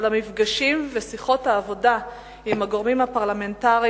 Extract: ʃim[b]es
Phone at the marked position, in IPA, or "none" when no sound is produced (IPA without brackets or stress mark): v